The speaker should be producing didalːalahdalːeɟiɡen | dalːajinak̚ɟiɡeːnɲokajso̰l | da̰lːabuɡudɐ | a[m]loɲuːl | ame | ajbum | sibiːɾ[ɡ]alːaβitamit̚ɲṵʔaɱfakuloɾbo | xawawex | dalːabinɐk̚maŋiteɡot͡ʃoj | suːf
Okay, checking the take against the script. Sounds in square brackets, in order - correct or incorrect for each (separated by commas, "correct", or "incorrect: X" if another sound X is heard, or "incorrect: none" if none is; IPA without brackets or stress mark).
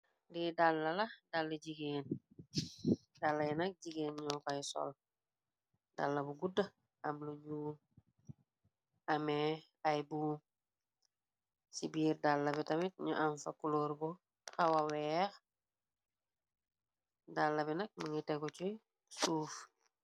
correct, incorrect: d